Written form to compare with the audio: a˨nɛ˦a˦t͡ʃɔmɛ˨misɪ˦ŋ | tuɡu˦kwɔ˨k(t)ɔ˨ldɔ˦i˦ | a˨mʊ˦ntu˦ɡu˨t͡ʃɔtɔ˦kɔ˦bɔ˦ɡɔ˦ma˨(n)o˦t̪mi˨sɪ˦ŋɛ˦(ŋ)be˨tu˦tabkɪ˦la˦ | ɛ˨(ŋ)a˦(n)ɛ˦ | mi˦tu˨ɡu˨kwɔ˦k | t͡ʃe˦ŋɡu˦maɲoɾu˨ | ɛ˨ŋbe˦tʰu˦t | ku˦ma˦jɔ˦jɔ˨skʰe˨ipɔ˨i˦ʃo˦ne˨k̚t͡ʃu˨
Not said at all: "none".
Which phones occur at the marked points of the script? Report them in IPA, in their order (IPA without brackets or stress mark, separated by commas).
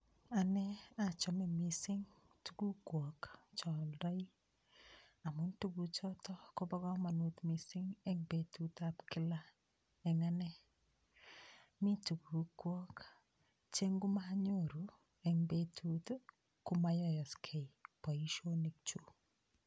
t͡ʃ, n, ŋ, ŋ, n